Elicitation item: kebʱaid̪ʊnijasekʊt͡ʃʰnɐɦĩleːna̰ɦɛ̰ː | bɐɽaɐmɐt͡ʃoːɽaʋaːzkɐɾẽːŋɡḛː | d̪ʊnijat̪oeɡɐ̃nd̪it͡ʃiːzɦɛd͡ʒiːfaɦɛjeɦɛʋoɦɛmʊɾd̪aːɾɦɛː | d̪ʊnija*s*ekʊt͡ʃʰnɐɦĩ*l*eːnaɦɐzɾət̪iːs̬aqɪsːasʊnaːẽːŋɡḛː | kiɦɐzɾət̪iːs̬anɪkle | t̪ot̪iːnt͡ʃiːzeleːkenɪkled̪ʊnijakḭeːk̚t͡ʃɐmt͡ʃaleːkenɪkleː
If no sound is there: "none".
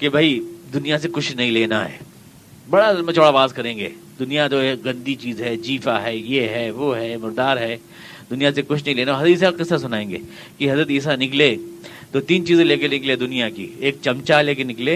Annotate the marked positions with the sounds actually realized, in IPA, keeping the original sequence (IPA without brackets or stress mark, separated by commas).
s, l